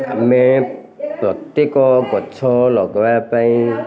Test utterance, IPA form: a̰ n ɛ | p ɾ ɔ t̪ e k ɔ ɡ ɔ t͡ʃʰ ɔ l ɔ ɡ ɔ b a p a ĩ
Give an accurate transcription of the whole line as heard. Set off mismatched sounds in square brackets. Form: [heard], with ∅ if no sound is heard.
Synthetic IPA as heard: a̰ [m] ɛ | p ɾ ɔ t̪ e k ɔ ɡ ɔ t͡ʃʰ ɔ l ɔ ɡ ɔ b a p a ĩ